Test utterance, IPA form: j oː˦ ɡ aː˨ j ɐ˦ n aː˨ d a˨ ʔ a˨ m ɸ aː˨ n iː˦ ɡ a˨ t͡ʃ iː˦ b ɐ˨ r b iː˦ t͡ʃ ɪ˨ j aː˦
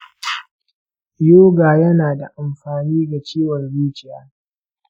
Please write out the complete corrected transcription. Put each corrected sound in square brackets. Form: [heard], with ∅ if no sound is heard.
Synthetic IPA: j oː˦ ɡ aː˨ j ɐ˦ n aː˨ d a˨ ʔ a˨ m ɸ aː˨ n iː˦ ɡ a˨ t͡ʃ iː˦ [w] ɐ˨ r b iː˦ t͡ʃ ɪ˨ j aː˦